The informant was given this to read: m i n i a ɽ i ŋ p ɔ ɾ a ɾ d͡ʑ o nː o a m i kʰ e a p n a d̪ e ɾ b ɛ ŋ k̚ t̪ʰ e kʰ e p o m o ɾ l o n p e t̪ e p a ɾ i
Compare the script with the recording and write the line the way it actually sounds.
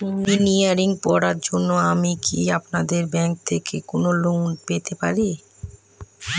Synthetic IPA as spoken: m i n i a ɾ i ŋ p ɔ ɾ a ɾ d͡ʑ o nː o a m i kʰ i a p n a d̪ e ɾ b ɛ ŋ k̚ t̪ʰ e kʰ e k o n o l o n p e t̪ e p a ɾ i